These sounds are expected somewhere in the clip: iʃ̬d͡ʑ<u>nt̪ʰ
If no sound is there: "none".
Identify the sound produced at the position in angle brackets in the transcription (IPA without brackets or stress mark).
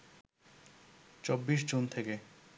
u